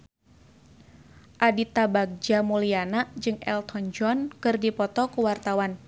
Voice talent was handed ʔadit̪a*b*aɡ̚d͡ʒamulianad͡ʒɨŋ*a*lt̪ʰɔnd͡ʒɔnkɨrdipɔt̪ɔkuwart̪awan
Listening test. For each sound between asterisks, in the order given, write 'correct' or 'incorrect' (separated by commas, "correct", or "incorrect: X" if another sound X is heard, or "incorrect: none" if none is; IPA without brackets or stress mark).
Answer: correct, incorrect: ɛ